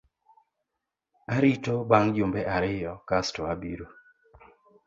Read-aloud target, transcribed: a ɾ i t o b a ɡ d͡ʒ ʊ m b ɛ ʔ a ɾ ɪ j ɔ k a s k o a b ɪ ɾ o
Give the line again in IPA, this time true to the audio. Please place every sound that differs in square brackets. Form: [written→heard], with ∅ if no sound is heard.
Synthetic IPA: a ɾ i t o b a [ɡ→ŋ] d͡ʒ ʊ m b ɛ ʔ a ɾ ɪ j ɔ k a s [k→t] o a b [ɪ→i] ɾ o